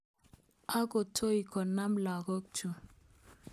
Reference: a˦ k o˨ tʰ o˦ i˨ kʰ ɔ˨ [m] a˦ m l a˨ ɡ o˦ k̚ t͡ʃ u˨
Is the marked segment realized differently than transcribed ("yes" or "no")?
yes